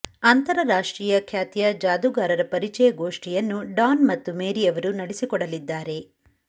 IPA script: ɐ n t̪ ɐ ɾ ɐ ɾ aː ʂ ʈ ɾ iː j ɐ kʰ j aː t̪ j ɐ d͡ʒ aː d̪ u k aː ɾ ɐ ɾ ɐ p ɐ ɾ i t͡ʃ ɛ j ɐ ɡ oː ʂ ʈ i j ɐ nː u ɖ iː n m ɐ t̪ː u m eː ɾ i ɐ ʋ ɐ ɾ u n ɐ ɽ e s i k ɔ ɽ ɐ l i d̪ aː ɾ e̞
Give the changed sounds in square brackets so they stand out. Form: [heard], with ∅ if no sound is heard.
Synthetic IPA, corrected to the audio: ɐ n t̪ ɐ ɾ ɐ ɾ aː ʂ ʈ ɾ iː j ɐ kʰ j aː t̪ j ɐ d͡ʒ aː d̪ u [ɡ] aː ɾ ɐ ɾ ɐ p ɐ ɾ i t͡ʃ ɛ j ɐ ɡ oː ʂ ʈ i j ɐ nː u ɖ [aː] n m ɐ t̪ː u m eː ɾ i ɐ ʋ ɐ ɾ u n ɐ ɽ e s i k ɔ ɽ ɐ l i [d̪ː] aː ɾ e̞